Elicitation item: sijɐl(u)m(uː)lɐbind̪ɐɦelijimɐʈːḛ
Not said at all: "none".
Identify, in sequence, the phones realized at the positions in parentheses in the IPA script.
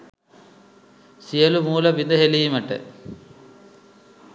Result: u, uː

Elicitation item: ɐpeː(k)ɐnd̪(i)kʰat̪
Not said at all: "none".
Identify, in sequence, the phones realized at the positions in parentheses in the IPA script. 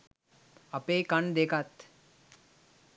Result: k, e

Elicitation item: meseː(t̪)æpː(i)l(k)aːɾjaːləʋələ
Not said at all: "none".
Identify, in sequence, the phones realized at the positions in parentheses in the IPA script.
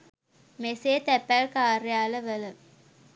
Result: t̪, æ, k

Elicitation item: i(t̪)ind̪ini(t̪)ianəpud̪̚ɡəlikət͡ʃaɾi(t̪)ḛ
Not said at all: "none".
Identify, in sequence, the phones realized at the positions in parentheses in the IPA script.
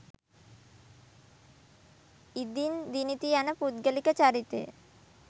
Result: d̪, t̪, t̪

